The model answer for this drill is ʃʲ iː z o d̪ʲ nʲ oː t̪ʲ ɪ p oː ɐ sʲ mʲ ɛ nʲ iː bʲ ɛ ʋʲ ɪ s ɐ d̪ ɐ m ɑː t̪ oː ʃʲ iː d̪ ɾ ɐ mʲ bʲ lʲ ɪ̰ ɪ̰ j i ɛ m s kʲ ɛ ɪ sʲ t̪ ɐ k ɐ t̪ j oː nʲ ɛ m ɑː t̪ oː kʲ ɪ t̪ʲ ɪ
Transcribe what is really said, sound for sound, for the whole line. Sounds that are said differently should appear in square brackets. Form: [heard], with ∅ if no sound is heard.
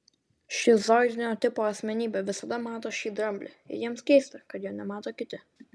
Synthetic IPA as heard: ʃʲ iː z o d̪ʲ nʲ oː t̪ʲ ɪ p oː ɐ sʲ mʲ ɛ nʲ iː bʲ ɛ ʋʲ ɪ s ɐ d̪ ɐ m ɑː t̪ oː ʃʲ iː d̪ ɾ ɐ mʲ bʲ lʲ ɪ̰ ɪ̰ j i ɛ m s kʲ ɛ ɪ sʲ t̪ ɐ k ɐ t̪ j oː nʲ ɛ m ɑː t̪ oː kʲ ɪ t̪ʲ ɪ